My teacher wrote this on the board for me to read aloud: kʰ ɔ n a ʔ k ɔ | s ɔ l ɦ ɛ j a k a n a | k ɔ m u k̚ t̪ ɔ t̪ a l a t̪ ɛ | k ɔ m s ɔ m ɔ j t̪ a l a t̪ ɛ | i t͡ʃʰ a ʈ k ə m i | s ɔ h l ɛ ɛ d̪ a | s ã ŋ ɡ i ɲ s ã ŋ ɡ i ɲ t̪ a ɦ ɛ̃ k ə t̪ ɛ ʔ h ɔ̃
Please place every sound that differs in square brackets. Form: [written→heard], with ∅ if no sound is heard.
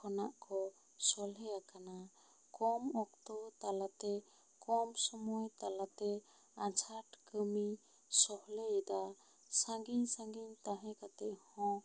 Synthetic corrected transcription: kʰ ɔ n a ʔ k ɔ | s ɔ l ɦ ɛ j a k a n a | k ɔ m [u→ɔ] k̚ t̪ ɔ t̪ a l a t̪ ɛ | k ɔ m s ɔ m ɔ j t̪ a l a t̪ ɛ | [i→a] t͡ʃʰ a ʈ k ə m i | s ɔ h l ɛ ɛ d̪ a | s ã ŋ ɡ i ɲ s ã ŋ ɡ i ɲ t̪ a ɦ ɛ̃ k [ə→a] t̪ ɛ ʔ h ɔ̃